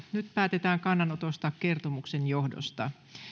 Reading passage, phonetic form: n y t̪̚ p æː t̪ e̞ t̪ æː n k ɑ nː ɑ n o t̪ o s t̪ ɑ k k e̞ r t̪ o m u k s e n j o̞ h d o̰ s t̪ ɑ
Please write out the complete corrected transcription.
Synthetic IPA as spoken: n y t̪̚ p æː t̪ e̞ t̪ æː ŋ k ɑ nː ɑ n o t̪ o s t̪ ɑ k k e̞ r t̪ o m u k s e n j o̞ h d o̰ s t̪ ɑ